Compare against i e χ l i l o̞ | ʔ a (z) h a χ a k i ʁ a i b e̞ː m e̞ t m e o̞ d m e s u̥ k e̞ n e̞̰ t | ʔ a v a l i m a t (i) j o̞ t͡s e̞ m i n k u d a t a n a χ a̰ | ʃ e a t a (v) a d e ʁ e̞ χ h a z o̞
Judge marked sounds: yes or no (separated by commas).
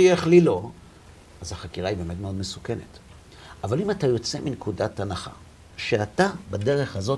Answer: yes, no, no